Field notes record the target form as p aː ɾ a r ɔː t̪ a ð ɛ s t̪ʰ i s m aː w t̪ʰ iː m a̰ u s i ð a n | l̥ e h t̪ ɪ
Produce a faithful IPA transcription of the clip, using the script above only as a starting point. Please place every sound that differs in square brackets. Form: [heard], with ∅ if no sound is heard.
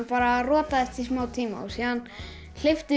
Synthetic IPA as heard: p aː ɾ a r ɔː t̪ a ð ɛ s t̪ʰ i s m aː w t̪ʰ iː m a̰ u s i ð a n | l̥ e [f] t̪ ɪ